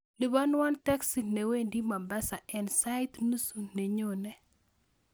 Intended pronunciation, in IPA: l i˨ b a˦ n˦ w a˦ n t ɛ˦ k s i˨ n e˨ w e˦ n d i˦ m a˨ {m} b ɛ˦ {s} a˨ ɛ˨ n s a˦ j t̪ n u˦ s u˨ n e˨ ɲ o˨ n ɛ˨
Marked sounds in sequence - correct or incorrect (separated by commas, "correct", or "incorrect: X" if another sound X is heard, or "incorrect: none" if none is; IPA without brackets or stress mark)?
correct, correct